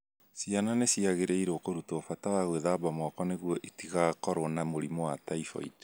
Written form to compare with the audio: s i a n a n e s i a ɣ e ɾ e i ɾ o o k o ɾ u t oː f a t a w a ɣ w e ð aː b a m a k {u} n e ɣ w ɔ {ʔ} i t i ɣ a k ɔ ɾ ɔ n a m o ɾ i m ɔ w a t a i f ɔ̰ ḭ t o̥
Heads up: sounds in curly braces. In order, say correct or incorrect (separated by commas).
incorrect, correct